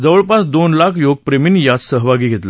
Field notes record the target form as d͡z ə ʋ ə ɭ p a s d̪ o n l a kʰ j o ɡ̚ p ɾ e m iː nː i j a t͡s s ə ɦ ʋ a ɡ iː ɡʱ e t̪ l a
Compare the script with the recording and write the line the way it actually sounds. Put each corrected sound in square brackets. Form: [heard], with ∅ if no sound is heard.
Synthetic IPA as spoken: d͡z ə ʋ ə ɭ p a s d̪ o n l a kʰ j o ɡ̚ p ɾ e m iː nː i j a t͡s s ə ɦ ʋ a ɡ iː ɡʱ e t̪ l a